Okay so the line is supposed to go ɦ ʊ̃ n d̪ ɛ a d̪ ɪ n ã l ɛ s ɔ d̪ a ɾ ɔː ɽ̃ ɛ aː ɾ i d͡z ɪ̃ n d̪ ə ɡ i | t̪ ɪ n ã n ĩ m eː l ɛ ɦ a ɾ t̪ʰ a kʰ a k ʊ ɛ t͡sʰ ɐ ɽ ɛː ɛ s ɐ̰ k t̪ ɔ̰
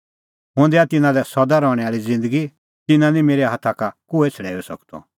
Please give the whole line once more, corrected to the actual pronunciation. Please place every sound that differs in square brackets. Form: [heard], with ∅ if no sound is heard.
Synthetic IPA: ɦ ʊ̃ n d̪ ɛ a [t̪] ɪ n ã l ɛ s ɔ d̪ a ɾ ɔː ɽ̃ ɛ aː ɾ i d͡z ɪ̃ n d̪ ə ɡ i | t̪ ɪ n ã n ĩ m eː [ɾ] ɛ ɦ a [∅] t̪ʰ a [k] a k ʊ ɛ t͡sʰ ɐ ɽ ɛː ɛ s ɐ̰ k t̪ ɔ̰

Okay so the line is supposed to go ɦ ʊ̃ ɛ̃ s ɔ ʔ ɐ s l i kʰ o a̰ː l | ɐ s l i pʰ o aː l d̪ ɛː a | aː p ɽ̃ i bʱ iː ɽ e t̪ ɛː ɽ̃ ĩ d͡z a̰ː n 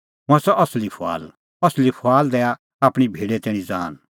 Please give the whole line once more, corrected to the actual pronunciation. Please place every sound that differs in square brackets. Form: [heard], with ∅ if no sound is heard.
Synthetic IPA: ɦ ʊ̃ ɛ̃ s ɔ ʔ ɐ s l i [pʰ] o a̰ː l | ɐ s l i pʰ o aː l d̪ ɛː a | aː p ɽ̃ i bʱ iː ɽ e t̪ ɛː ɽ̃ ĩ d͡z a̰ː n

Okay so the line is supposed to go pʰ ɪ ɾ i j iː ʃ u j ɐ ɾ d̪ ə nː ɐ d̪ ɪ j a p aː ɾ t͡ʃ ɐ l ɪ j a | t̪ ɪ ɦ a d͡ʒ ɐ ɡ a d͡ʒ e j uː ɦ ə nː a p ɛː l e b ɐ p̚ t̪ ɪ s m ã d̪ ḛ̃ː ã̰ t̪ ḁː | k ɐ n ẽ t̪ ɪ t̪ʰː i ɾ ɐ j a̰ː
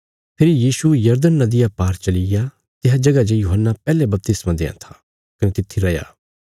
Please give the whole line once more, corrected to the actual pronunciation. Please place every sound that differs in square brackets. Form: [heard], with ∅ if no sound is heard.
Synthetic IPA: pʰ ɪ ɾ i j iː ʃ u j ɐ ɾ d̪ ə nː ɐ d̪ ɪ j a p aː ɾ t͡ʃ ɐ l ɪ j a | t̪ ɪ ɦ a d͡ʒ ɐ ɡ a d͡ʒ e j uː ɦ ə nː a p ɛː l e b ɐ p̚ t̪ ɪ s m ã d̪ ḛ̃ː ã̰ [t̪ʰ] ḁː | k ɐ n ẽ t̪ ɪ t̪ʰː i ɾ ɐ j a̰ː

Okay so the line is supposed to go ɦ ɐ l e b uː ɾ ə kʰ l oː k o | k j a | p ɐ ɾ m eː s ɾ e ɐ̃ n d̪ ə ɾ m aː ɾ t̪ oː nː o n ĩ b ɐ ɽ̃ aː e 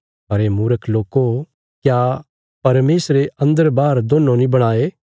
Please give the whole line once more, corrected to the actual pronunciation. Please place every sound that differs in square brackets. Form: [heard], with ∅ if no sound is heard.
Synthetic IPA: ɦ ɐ [ɾ] e [m] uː ɾ ə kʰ l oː k o | k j a | p ɐ ɾ m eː s ɾ e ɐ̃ n d̪ ə ɾ [b] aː ɾ [d̪] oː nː o n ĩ b ɐ ɽ̃ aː e

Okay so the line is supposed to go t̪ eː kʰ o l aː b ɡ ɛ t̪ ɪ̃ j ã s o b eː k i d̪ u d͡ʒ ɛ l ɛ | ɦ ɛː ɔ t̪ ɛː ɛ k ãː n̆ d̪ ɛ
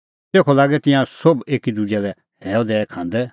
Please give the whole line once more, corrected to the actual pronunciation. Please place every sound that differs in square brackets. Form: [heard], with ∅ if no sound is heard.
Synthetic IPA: t̪ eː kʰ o l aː [∅] ɡ ɛ t̪ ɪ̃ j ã s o b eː k i d̪ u d͡ʒ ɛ l ɛ | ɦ ɛː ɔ [d̪] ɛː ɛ [kʰ] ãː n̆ d̪ ɛ

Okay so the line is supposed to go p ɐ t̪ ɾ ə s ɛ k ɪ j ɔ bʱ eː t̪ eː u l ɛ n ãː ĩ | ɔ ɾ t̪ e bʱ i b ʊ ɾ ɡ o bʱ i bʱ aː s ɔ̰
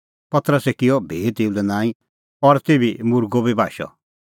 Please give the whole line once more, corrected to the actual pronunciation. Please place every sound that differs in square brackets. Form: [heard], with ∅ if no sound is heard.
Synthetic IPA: p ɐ t̪ ɾ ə s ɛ k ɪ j ɔ bʱ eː t̪ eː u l ɛ n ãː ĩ | ɔ ɾ t̪ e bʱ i [m] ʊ ɾ ɡ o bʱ i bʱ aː [ʃ] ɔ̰

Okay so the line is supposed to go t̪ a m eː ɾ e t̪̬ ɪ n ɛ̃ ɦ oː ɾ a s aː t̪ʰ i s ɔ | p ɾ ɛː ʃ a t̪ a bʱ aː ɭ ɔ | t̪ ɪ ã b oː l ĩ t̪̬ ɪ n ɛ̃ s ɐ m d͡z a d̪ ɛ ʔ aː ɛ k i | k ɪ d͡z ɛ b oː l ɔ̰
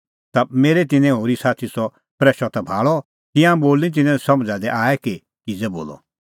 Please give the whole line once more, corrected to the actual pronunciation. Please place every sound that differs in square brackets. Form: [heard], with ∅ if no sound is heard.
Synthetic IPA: t̪ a m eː ɾ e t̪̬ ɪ n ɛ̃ ɦ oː ɾ [i] s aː t̪ʰ i s ɔ | p ɾ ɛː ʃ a t̪ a bʱ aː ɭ ɔ | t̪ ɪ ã b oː l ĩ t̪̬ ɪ n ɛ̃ s ɐ m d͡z a d̪ ɛ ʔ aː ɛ k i | k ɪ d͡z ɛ b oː l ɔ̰

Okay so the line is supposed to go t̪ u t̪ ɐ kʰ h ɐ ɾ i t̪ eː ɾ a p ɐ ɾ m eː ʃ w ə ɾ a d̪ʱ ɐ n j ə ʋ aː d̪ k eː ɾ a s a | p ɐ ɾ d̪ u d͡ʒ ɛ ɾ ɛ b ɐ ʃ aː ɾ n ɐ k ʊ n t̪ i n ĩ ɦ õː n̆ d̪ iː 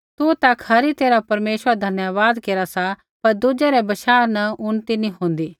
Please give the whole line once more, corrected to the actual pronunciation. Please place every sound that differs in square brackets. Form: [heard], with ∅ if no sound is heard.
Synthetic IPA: t̪ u t̪ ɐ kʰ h ɐ ɾ i t̪ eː ɾ a p ɐ ɾ m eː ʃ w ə ɾ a d̪ʱ ɐ n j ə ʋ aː d̪ k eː ɾ a s a | p ɐ ɾ d̪ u d͡ʒ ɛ ɾ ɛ b ɐ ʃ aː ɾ n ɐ [∅] ʊ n t̪ i n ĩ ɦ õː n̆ d̪ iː

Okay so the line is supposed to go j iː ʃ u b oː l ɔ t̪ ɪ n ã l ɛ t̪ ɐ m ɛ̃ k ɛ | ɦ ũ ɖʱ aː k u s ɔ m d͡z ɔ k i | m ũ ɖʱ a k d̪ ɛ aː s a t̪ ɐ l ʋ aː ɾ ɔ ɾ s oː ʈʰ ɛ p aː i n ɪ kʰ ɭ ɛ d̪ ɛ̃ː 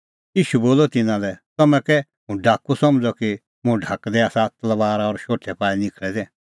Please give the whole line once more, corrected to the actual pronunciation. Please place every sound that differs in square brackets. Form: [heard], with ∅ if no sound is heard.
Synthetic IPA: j iː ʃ u b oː l ɔ t̪ ɪ n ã l ɛ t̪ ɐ m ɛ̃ k ɛ | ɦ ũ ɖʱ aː k u s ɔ m d͡z ɔ k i | m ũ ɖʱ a k d̪ ɛ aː s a t̪ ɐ l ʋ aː ɾ ɔ ɾ [ʃ] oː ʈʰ ɛ p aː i n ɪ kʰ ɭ ɛ d̪ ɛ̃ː

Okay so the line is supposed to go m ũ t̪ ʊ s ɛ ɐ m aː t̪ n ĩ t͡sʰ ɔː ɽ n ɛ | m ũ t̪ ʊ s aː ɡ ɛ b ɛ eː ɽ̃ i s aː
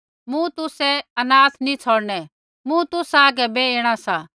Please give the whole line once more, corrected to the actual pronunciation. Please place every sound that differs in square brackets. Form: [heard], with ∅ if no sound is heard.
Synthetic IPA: m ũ t̪ ʊ s ɛ ɐ [n] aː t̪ n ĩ t͡sʰ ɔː ɽ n ɛ | m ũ t̪ ʊ s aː ɡ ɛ b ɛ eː ɽ̃ [a] s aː

